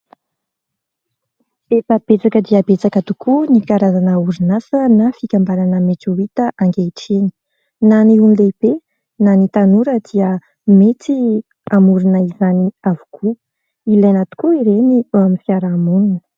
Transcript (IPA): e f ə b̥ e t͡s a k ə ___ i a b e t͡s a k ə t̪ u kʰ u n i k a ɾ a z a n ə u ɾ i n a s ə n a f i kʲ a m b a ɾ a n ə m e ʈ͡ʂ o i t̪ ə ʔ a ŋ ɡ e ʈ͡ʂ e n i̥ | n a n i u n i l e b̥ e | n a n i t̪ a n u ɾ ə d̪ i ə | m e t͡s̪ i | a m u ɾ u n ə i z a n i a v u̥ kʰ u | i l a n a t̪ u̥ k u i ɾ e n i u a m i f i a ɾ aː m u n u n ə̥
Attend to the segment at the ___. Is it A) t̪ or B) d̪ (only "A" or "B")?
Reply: B